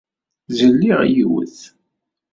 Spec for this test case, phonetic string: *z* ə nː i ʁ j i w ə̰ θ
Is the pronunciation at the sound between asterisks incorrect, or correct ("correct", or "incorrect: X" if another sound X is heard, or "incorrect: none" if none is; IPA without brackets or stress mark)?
correct